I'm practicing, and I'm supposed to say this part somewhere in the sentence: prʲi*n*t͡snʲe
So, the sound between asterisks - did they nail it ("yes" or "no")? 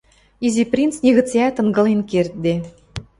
yes